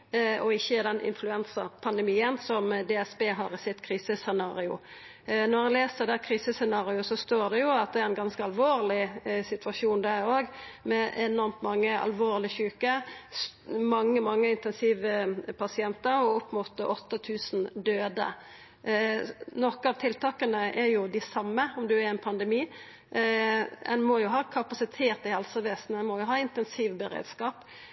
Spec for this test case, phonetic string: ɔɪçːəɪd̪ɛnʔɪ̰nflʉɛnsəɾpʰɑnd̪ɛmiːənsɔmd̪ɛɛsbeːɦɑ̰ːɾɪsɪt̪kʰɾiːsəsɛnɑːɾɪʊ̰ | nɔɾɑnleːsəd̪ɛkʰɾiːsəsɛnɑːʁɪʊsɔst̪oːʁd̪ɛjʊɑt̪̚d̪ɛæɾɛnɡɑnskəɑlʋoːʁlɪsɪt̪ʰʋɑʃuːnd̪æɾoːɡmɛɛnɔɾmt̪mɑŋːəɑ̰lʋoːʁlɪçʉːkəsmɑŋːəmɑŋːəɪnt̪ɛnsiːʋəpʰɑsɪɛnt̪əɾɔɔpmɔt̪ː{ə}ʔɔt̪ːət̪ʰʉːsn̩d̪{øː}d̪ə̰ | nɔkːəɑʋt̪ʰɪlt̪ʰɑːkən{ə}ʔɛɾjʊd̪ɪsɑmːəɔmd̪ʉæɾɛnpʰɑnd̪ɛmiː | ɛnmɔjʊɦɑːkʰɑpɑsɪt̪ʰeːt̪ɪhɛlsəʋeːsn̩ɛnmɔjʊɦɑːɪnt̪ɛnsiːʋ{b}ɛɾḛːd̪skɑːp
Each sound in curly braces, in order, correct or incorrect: correct, correct, correct, correct

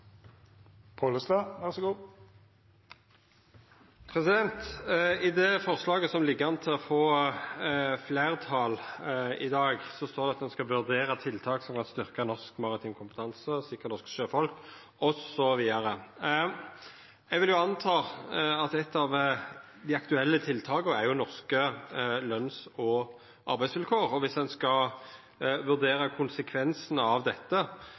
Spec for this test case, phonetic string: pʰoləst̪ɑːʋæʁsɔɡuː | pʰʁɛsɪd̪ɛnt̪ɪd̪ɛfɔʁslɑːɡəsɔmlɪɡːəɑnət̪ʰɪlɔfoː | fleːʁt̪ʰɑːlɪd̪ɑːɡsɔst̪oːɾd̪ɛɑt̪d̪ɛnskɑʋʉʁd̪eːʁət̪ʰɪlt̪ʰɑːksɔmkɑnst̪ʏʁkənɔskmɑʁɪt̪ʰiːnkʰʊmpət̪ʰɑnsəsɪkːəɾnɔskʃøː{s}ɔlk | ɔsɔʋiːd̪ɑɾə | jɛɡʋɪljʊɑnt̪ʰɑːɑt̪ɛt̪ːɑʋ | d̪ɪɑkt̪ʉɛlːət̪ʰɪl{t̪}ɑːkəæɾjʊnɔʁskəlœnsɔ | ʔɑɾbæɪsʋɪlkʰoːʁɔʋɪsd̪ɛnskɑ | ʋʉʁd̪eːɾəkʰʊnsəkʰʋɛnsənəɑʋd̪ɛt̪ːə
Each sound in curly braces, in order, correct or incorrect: incorrect, incorrect

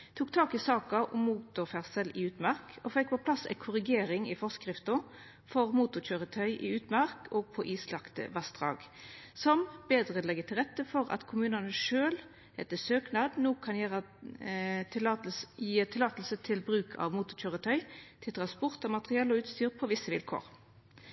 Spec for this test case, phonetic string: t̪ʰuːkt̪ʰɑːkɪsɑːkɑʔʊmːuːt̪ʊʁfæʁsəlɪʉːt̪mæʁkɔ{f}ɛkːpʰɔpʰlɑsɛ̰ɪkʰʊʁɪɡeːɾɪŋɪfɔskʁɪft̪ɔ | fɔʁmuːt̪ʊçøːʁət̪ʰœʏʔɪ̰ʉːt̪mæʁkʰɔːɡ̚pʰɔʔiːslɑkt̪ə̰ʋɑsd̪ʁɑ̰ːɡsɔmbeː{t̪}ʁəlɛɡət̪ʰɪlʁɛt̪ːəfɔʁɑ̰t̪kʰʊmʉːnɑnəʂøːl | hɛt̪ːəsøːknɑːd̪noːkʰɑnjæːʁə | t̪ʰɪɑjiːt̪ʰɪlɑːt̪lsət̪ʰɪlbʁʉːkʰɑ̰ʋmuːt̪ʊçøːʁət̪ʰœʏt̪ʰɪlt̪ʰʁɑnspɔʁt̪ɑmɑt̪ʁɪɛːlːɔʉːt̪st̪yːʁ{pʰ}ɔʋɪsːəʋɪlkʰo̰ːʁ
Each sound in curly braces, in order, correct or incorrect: correct, incorrect, correct

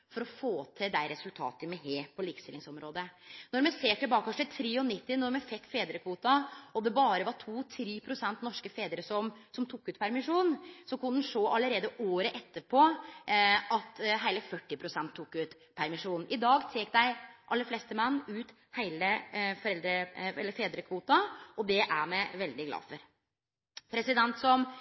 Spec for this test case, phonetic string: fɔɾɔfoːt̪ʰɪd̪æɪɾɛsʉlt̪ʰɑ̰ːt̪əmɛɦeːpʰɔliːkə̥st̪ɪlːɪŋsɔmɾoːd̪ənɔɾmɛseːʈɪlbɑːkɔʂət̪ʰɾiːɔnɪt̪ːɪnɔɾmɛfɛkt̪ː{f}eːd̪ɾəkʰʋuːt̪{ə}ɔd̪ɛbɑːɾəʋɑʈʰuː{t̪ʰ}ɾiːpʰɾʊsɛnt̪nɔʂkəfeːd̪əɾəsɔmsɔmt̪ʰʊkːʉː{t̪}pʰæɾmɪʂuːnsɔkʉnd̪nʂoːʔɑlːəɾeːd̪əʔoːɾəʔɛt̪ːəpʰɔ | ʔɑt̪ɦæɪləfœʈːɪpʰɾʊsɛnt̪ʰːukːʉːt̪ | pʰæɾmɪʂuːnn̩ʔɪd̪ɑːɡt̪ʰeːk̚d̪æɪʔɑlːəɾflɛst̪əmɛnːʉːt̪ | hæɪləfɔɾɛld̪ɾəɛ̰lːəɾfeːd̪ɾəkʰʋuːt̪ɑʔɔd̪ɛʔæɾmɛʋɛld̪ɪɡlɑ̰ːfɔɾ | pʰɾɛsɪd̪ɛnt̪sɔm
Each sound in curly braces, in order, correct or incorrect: correct, incorrect, correct, correct

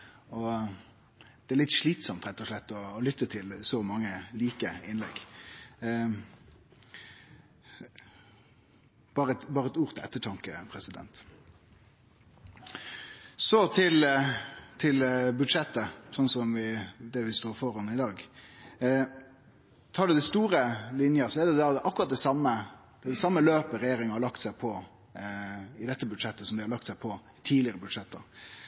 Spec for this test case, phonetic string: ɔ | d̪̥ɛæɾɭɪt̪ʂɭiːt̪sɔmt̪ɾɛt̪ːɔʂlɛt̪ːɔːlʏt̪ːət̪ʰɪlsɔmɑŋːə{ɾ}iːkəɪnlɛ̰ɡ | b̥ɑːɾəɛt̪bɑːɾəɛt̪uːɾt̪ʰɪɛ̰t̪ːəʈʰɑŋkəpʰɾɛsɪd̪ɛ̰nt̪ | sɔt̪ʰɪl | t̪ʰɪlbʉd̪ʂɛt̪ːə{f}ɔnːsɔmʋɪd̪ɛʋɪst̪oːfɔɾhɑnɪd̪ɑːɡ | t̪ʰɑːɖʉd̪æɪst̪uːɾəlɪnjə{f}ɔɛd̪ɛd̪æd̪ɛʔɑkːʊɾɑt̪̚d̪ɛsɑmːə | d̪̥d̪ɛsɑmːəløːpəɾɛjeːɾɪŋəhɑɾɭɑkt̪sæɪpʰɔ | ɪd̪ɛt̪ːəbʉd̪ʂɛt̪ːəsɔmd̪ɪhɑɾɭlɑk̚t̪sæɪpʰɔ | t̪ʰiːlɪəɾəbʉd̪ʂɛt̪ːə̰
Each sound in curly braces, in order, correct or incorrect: incorrect, incorrect, incorrect

